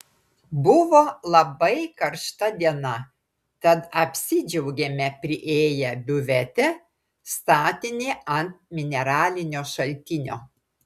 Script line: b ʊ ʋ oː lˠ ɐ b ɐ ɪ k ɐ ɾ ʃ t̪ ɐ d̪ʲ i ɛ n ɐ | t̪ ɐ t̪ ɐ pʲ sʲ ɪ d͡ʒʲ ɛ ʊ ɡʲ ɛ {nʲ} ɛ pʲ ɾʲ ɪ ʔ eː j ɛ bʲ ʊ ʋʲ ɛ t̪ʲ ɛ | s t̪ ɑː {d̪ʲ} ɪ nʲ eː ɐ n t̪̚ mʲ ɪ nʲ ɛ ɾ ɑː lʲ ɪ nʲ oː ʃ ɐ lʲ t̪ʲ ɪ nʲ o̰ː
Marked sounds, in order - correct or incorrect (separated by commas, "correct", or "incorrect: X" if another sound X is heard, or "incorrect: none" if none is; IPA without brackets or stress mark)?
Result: incorrect: mʲ, incorrect: t̪ʲ